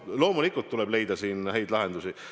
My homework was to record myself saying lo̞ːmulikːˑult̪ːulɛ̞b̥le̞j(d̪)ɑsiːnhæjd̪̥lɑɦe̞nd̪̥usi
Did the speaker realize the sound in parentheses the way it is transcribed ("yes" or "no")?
yes